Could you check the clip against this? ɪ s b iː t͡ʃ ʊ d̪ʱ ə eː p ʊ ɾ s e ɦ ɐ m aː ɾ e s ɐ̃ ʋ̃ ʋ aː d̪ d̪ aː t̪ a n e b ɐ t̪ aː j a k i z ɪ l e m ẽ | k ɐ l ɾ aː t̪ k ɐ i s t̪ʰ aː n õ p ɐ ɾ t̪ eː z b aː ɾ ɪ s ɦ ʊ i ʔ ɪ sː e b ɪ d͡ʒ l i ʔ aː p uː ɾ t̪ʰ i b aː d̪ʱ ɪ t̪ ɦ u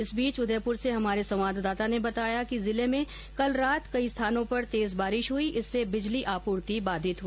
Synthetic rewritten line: ɪ s b iː t͡ʃ ʊ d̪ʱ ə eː p ʊ ɾ s e ɦ ɐ m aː ɾ e s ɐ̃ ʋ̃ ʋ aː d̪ d̪ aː t̪ a n e b ɐ t̪ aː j a k i z ɪ l e m ẽ | k ɐ l ɾ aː t̪ k ɐ i s t̪ʰ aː n õ p ɐ ɾ t̪ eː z b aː ɾ ɪ ʃ ɦ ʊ i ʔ ɪ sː e b ɪ d͡ʒ l i ʔ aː p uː ɾ t̪ i b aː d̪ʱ ɪ t̪ ɦ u